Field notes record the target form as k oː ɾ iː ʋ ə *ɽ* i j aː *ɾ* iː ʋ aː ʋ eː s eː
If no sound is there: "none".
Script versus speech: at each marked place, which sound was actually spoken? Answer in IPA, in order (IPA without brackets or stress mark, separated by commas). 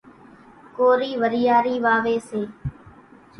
ɾ, ɾ